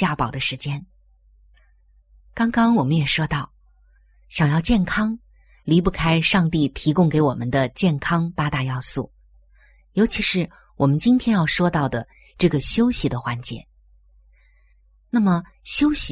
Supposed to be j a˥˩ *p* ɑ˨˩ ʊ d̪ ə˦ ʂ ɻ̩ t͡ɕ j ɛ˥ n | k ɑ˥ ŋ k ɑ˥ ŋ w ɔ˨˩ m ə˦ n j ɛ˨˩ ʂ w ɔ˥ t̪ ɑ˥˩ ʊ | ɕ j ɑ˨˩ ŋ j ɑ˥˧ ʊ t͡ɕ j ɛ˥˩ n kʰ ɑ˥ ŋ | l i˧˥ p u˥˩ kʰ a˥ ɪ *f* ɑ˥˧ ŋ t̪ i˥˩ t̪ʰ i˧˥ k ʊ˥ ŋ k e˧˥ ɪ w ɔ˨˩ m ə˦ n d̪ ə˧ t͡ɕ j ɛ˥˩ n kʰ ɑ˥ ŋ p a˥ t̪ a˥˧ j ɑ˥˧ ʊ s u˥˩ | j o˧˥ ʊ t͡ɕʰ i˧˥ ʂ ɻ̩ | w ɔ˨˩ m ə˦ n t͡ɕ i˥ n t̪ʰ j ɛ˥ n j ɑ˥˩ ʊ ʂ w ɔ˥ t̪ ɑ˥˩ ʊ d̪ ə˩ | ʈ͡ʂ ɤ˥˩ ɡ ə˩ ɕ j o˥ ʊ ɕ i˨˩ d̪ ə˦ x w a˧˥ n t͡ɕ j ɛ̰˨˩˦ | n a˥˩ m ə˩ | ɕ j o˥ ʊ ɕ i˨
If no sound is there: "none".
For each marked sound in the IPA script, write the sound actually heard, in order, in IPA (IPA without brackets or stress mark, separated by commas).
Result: p, ʂ